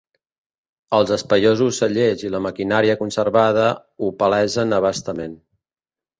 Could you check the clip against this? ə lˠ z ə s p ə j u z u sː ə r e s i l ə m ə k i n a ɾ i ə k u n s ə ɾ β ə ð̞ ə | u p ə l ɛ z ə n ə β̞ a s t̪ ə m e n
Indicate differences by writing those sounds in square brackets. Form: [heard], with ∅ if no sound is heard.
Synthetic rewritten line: ə lˠ z ə s p ə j [o] z u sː ə [ʎ] e [z] i l ə m ə k i n a ɾ i ə k u n s ə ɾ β [a] ð̞ ə | u p ə l ɛ z ə n ə β̞ a s t̪ ə m e n